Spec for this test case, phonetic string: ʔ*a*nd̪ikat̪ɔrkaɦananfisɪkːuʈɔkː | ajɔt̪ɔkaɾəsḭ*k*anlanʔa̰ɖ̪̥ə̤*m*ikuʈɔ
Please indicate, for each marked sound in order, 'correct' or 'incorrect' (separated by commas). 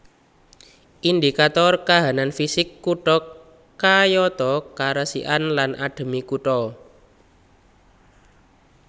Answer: incorrect, incorrect, correct